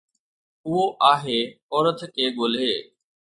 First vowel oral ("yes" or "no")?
yes